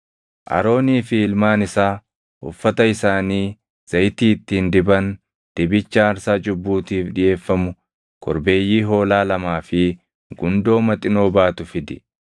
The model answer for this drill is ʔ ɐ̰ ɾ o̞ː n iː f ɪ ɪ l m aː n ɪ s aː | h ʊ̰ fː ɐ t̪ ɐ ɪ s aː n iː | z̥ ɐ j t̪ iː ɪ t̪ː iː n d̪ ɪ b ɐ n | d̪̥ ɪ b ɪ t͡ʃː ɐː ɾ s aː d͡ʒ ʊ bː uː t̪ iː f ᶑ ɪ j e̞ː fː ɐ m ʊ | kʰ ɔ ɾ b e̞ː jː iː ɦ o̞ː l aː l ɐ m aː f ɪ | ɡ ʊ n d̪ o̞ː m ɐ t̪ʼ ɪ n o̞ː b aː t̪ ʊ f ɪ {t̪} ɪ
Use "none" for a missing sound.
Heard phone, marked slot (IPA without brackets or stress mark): d̪